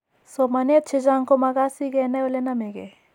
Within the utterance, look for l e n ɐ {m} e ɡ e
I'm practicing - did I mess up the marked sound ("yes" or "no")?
no